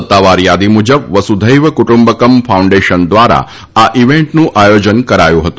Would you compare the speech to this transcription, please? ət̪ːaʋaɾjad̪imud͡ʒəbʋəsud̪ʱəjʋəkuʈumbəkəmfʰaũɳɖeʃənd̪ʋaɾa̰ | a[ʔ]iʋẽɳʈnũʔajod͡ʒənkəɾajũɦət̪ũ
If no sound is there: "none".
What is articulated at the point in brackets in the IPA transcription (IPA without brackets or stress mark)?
ʔ